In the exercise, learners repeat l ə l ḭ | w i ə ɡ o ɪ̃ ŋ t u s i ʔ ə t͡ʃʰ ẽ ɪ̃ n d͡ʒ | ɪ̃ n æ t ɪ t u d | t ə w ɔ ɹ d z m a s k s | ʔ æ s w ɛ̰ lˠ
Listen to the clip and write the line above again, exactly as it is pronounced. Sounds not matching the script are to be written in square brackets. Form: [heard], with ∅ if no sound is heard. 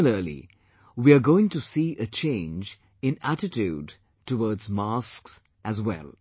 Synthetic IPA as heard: l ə l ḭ | w i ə ɡ o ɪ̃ ŋ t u s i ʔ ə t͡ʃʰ ẽ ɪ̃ n d͡ʒ | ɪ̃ n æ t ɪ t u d | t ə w ɔ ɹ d z m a s k s | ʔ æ [z] w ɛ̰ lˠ